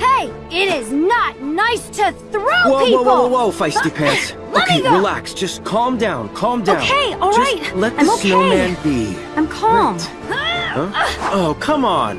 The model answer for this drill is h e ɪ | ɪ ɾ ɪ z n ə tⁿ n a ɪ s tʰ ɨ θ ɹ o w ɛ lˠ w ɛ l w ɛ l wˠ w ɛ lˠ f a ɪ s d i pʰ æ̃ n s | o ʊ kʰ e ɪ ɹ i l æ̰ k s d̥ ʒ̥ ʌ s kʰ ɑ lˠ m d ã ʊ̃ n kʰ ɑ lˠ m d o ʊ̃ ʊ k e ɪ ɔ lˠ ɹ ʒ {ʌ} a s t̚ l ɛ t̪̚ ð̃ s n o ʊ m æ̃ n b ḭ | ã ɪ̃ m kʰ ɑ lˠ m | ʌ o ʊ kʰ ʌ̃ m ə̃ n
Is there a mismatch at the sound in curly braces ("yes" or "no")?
no